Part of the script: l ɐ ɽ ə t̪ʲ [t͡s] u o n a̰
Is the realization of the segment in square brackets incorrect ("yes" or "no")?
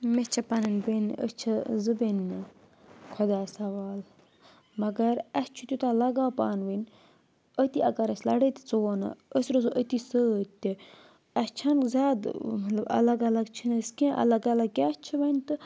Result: no